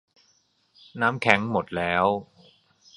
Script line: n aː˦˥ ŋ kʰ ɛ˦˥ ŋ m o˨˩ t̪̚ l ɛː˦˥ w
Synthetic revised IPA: n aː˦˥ m kʰ ɛ˦˥ ŋ m o˨˩ t̪̚ l ɛː˦˥ w